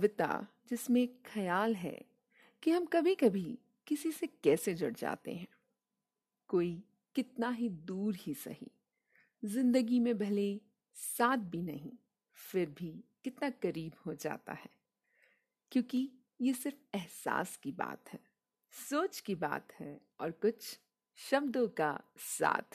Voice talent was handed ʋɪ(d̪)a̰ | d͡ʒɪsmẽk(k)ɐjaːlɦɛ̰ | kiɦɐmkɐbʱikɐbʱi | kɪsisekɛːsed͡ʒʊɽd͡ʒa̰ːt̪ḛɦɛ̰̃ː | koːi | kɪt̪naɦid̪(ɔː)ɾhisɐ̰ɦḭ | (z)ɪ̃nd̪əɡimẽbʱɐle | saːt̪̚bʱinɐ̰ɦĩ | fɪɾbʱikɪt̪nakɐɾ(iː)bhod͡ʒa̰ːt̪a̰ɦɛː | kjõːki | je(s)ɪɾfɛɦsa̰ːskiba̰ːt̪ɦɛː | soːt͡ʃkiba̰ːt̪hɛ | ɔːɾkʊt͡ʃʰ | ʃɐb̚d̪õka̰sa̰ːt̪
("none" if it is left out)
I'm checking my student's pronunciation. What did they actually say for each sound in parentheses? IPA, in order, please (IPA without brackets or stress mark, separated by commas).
t̪, x, uː, z, iː, s